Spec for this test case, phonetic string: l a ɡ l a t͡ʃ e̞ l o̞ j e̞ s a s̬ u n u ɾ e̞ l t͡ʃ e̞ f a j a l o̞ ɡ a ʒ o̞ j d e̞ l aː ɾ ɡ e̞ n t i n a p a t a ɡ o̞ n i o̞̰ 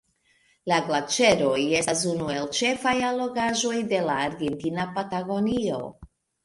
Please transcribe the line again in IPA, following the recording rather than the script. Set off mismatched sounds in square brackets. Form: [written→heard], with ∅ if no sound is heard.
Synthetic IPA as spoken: l a ɡ l a t͡ʃ e̞ [l→ɾ] o̞ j e̞ s a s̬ u n u [ɾ→∅] e̞ l t͡ʃ e̞ f a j a l o̞ ɡ a ʒ o̞ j d e̞ l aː ɾ ɡ e̞ n t i n a p a t a ɡ o̞ n i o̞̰

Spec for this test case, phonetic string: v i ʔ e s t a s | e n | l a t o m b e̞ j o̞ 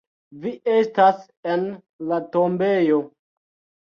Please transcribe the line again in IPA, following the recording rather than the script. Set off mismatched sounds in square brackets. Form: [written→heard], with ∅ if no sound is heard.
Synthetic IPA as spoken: v i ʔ e s t a s | e n | l a t o m b e̞ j o̞

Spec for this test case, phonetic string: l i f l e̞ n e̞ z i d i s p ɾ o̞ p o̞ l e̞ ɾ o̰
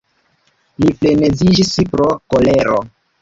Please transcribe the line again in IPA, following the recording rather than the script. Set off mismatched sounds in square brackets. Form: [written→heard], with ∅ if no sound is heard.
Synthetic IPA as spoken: l i f l e̞ n e̞ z i [d→d͡ʒ] i s p ɾ o̞ [p→k] o̞ l e̞ ɾ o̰

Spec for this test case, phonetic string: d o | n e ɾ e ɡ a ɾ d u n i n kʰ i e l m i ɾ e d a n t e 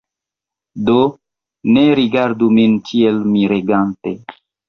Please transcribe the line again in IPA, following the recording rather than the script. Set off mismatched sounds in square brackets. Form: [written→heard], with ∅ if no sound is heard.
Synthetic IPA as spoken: d o | n e ɾ [e→i] ɡ a ɾ d u [n→m] i n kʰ i e l m i ɾ e [d→ɡ] a n t e

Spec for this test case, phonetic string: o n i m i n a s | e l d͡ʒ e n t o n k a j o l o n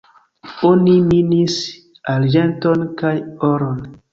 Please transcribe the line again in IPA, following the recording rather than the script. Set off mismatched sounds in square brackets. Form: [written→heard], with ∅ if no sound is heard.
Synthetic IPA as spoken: o n i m i n [a→i] s | [e→a] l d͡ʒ e n t o n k a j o [l→ɾ] o n

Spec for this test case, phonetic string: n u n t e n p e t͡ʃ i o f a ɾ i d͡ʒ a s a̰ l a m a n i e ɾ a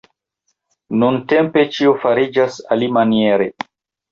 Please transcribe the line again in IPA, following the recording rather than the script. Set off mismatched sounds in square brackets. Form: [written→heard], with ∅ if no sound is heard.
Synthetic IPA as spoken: n u n t e [n→m] p e t͡ʃ i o f a ɾ i d͡ʒ a s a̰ l [a→i] m a n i e ɾ [a→e]

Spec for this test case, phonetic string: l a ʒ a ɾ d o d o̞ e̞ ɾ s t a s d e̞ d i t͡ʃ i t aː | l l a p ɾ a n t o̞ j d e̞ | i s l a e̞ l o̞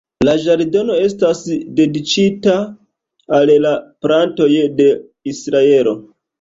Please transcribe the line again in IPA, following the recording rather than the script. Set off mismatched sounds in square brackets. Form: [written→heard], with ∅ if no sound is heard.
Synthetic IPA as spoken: l a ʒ a ɾ d o [d→n] o̞ e̞ [ɾ→∅] s t a s d e̞ d i t͡ʃ i t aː | l l a p ɾ a n t o̞ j d e̞ | i s [l→ɾ] a e̞ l o̞

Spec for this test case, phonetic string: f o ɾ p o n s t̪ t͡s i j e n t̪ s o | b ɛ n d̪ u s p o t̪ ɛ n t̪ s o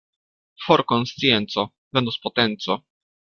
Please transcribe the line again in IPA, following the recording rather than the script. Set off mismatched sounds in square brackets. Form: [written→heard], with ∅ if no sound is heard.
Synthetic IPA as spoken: f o ɾ [p→k] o n s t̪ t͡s i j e n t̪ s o | [b→v] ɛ n d̪ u s p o t̪ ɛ n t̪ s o

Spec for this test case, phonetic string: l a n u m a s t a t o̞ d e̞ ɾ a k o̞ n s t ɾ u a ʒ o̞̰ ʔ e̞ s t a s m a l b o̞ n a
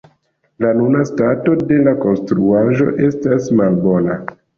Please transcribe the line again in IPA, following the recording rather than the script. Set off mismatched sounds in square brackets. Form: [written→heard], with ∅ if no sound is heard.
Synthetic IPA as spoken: l a n u [m→n] a s t a t o̞ d e̞ [ɾ→l] a k o̞ n s t ɾ u a ʒ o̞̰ ʔ e̞ s t a s m a l b o̞ n a

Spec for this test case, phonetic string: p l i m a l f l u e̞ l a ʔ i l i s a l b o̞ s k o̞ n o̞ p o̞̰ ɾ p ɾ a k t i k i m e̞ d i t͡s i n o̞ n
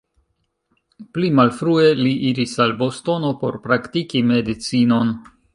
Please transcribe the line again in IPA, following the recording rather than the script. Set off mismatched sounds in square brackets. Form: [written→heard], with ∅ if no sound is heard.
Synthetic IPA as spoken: p l i m a l f [l→ɾ] u e̞ l [a→i] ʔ i [l→ɾ] i s a l b o̞ s [k→t] o̞ n o̞ p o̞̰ ɾ p ɾ a k t i k i m e̞ d i t͡s i n o̞ n

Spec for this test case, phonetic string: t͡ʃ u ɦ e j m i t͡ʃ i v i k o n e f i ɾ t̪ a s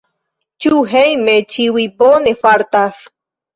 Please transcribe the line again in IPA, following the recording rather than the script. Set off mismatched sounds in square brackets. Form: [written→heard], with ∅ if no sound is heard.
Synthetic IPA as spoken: t͡ʃ u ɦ e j m [i→e] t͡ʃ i [v→w] i [k→p] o n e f [i→a] ɾ t̪ a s

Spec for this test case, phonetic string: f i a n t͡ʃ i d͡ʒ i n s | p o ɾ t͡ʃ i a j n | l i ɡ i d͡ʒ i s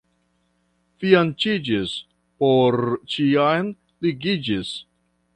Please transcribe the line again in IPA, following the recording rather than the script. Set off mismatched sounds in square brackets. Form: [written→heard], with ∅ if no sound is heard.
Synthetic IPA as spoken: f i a n t͡ʃ i d͡ʒ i [n→∅] s | p o ɾ t͡ʃ i a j n | l i ɡ i d͡ʒ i s

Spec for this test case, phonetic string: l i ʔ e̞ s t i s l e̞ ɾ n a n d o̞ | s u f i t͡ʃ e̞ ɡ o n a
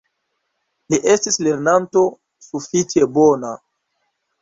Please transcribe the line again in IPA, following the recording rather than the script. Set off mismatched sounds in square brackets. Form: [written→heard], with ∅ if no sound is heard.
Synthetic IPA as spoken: l i ʔ e̞ s t i s l e̞ ɾ n a n [d→t] o̞ | s u f i t͡ʃ e̞ [ɡ→b] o n a

